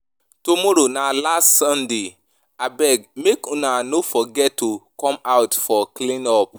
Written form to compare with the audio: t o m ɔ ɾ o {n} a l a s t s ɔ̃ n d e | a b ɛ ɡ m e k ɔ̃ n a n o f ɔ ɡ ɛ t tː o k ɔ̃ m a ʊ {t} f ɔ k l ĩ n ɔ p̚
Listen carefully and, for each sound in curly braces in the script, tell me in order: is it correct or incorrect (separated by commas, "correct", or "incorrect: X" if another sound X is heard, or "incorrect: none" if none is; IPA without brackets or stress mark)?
correct, correct